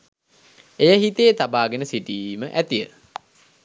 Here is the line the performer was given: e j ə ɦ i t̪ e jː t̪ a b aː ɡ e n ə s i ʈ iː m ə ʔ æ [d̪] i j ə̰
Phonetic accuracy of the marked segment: incorrect: t̪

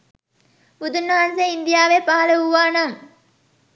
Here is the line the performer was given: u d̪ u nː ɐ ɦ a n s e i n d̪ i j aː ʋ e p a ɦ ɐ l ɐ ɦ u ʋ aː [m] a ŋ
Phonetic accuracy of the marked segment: incorrect: n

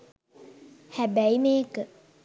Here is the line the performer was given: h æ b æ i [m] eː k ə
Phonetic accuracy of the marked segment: correct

